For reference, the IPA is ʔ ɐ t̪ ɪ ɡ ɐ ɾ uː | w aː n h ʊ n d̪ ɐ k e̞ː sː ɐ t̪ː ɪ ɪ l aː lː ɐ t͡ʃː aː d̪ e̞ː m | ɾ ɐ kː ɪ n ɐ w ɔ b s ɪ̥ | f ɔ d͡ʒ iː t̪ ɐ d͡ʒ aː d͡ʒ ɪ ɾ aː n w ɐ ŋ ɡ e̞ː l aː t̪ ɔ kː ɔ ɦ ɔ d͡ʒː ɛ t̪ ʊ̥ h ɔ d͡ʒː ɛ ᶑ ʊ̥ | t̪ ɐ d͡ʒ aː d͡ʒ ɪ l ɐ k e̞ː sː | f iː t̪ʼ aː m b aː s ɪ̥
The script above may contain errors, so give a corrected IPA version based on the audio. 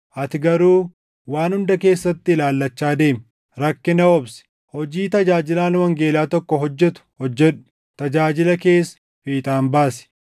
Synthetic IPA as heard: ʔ ɐ t̪ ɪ ɡ ɐ ɾ uː | w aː n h ʊ n d̪ ɐ k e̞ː sː ɐ t̪ː ɪ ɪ l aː lː ɐ t͡ʃː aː d̪ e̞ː m | ɾ ɐ kː ɪ n ɐ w ɔ b s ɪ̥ | h ɔ d͡ʒ iː t̪ ɐ d͡ʒ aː d͡ʒ ɪ l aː n w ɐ ŋ ɡ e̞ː l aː t̪ ɔ kː ɔ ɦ ɔ d͡ʒː ɛ t̪ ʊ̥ h ɔ d͡ʒː ɛ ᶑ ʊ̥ | t̪ ɐ d͡ʒ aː d͡ʒ ɪ l ɐ k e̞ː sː | f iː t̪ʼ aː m b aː s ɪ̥